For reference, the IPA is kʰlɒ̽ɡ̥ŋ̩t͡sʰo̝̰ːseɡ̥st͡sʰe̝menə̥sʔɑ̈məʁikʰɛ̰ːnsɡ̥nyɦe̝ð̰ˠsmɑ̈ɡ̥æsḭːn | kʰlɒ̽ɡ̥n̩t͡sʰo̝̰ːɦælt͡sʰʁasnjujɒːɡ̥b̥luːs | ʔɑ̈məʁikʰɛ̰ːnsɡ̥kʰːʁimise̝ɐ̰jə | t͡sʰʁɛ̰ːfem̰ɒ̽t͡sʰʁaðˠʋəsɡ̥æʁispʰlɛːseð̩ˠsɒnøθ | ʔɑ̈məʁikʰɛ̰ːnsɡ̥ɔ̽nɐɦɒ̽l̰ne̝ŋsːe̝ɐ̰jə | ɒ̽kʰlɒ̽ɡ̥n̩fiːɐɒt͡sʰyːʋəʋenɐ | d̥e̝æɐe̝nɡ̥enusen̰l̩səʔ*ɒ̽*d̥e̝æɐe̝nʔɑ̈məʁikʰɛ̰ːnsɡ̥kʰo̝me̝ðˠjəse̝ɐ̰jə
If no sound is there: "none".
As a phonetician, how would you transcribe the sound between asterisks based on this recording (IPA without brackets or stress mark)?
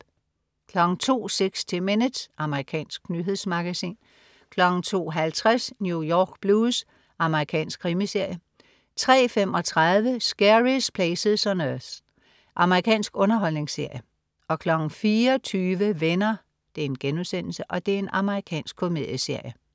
ɒ̽